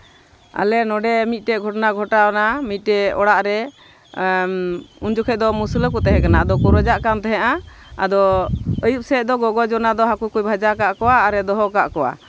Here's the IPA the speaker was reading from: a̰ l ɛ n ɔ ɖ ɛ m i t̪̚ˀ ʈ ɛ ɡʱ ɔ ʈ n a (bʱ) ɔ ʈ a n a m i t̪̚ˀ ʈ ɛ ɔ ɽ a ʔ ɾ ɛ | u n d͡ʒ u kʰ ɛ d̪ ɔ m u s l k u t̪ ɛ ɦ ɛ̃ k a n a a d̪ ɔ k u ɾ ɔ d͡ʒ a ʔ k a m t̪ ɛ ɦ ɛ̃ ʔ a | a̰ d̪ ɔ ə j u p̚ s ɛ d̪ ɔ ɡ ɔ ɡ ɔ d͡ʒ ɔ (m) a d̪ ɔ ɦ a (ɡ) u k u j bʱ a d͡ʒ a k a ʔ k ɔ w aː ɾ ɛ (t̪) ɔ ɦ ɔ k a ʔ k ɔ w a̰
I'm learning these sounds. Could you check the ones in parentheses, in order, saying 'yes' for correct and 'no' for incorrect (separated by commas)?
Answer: no, no, no, no